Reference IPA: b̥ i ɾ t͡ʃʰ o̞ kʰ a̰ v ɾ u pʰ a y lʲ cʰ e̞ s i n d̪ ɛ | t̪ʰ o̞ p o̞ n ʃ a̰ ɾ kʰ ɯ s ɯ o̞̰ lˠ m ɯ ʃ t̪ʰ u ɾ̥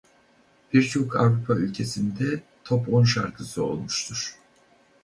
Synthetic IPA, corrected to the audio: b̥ i ɾ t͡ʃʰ o̞ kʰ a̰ v ɾ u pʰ a y lʲ cʰ e̞ s i n d̪ ɛ | t̪ʰ o̞ p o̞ n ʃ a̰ ɾ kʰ ɯ s ɯ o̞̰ lˠ m u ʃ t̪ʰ u ɾ̥